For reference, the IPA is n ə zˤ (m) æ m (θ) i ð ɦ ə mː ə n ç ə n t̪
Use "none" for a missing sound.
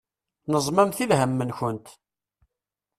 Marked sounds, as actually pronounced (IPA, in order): m, θ

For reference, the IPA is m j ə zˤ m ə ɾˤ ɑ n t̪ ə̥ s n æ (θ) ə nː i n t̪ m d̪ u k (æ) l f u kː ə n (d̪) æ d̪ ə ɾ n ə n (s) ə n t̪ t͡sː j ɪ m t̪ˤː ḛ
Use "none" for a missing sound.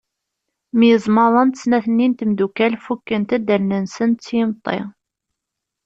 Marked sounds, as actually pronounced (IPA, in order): θ, æ, t̪, s

